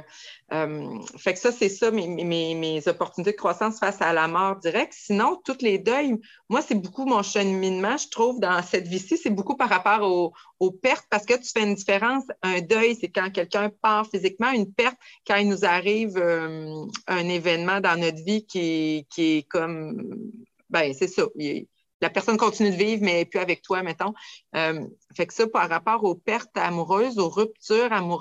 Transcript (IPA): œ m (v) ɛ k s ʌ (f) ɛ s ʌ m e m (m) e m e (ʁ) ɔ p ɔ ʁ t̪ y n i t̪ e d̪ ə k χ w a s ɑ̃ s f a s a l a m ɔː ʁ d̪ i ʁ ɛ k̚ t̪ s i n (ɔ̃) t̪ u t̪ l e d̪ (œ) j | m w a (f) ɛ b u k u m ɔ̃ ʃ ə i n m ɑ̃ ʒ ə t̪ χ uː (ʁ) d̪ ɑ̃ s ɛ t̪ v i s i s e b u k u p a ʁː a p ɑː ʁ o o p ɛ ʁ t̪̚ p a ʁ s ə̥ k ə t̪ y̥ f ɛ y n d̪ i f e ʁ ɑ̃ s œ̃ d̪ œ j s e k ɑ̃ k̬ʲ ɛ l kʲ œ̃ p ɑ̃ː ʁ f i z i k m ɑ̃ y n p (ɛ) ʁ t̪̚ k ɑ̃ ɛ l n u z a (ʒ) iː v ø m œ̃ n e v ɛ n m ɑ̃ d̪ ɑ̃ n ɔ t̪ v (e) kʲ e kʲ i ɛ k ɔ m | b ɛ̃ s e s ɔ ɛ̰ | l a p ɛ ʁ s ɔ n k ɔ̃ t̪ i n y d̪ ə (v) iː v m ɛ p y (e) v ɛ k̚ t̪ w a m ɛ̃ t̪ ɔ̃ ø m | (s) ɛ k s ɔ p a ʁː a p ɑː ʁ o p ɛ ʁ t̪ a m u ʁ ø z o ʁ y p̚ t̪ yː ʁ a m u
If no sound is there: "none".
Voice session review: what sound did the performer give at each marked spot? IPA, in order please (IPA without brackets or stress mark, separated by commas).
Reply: f, s, m, z, ɔ̃, œ, s, v, ɛ, ʁ, i, v, a, f